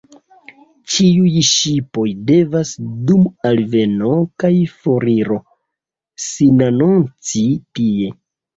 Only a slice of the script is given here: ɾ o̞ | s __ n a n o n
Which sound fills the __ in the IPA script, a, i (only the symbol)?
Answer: i